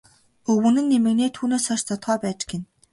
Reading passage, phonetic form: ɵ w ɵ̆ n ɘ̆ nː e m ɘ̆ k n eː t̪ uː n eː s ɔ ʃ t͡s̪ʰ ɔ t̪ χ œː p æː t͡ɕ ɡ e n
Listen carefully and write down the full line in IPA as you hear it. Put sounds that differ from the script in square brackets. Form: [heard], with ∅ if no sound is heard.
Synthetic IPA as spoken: ɵ w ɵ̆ n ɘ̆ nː e m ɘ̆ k n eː [t̪ʰ] uː n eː s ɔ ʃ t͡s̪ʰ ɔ t̪ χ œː p æː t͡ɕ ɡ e n